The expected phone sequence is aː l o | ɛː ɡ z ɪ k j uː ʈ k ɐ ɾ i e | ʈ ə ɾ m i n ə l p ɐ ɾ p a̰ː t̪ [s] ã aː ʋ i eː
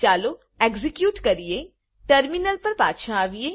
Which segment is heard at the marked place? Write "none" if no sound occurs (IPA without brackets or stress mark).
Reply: ʃ